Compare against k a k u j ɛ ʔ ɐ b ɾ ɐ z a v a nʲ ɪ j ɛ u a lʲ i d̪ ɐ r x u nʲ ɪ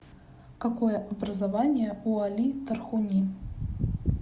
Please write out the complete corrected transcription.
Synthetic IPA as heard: k a k ɔ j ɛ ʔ ɐ b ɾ ɐ z a v a nʲ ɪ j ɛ u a lʲ i t̪ ɐ r x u nʲ i